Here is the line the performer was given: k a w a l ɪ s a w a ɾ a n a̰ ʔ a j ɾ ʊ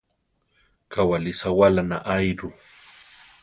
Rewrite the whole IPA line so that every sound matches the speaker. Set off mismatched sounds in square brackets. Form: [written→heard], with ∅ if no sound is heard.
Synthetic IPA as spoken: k a w a l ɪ s a w a [ɾ→l] a n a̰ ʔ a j ɾ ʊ

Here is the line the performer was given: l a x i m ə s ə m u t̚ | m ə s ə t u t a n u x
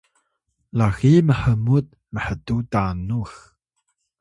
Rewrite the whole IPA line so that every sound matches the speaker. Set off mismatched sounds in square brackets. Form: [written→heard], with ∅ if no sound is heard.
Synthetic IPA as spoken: l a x i m ə [s→ħ] ə m u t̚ | m ə [s→ħ] ə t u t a n u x

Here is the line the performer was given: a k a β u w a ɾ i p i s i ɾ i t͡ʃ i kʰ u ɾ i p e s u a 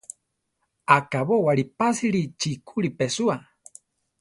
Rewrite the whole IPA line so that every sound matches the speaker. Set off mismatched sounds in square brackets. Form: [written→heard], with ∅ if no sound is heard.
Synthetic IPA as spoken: a k a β [u→o] w a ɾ i p [i→a] s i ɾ i t͡ʃ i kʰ u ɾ i p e s u a

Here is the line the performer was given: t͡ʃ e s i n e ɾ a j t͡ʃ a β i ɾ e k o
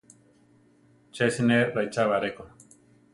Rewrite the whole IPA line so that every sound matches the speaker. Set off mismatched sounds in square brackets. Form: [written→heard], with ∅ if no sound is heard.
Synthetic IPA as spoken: t͡ʃ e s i n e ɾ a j t͡ʃ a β [i→a] ɾ e k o

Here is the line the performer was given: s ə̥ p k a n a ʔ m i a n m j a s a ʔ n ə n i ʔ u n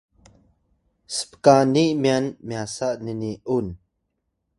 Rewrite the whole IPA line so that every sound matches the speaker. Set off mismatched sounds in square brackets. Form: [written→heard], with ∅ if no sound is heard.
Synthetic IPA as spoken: s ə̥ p k a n [a→i] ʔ m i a n m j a s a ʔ n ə n i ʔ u n

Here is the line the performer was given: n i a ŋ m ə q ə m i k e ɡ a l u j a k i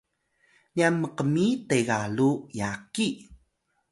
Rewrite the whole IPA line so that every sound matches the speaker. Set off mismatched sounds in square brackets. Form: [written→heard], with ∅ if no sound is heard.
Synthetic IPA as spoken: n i a [ŋ→n] m ə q ə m i [k→t] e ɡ a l u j a k i

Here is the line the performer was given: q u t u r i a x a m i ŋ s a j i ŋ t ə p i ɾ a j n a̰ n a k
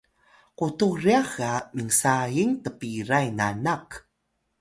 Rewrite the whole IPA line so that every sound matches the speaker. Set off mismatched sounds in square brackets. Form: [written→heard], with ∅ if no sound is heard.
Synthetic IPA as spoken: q u t u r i a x a m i ŋ s a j i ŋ t ə p i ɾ a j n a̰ n a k

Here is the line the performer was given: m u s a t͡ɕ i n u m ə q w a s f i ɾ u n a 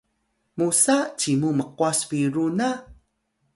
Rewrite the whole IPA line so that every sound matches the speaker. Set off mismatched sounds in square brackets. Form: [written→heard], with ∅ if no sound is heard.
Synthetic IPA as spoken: m u s a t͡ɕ i [n→m] u m ə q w a s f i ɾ u n a

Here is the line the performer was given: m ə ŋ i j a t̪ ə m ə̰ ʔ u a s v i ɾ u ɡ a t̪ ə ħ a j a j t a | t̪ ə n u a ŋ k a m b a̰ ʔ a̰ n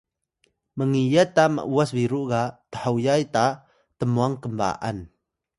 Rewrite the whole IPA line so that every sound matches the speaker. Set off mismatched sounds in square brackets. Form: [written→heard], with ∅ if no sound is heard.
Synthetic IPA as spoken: m ə ŋ i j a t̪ [ə→a] m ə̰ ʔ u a s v i ɾ u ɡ a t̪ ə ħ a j a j t a | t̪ ə [n→m] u a ŋ k [a→ə] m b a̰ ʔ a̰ n

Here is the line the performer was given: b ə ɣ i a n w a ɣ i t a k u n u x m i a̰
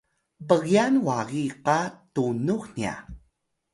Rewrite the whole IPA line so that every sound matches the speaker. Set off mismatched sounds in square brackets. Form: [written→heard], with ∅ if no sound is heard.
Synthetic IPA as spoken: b ə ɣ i a n w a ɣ i [t→q] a [k→t] u n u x [m→n] i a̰

